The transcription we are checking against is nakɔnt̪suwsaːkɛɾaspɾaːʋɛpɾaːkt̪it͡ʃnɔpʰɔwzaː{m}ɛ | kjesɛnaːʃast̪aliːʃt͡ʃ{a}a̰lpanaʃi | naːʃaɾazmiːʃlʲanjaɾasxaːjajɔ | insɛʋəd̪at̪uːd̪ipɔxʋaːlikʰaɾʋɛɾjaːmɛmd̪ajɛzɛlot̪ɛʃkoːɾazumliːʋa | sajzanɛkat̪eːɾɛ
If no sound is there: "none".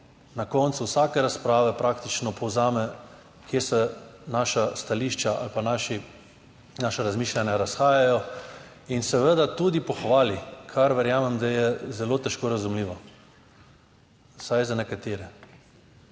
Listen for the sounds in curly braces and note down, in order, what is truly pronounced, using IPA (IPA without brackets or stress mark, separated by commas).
m, a